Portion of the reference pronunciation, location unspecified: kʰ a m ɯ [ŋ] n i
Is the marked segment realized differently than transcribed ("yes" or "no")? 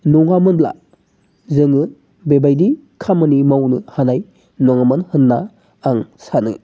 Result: yes